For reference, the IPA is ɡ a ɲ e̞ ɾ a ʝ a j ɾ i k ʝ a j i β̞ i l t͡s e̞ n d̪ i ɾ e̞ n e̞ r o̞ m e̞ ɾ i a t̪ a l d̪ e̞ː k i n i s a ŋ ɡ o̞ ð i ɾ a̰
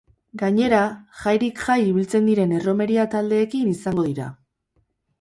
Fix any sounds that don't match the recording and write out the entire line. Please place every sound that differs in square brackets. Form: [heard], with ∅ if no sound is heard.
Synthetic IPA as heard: ɡ a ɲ e̞ ɾ a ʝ a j ɾ i k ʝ a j i β̞ i l t͡s e̞ n d̪ i ɾ e̞ n e̞ r o̞ m e̞ ɾ i a t̪ a l d̪ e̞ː k i n i s a ŋ ɡ o̞ ð i ɾ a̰